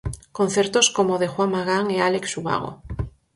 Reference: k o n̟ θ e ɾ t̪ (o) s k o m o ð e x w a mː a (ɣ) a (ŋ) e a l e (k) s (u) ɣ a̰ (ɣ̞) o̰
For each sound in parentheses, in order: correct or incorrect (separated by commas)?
correct, correct, correct, correct, correct, correct